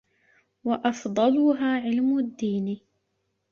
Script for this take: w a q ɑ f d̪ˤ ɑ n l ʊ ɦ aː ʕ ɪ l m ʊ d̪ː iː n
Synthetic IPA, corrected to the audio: w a ʔ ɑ f d̪ˤ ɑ l ʊ ɦ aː ʕ ɪ l m ʊ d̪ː iː n